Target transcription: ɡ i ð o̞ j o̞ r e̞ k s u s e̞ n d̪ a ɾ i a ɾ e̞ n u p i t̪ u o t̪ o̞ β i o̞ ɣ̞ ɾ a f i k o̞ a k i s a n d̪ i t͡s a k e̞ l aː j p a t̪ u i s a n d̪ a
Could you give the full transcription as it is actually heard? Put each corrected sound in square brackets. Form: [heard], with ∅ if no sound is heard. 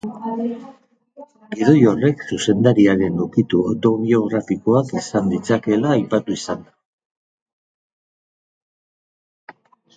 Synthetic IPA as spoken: ɡ i ð o̞ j o̞ r e̞ k s u s e̞ n d̪ a ɾ i a ɾ e̞ n u [k] i t̪ u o t̪ o̞ β i o̞ ɣ̞ ɾ a f i k o̞ a k i s a n d̪ i t͡s a k e̞ l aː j p a t̪ u i s a n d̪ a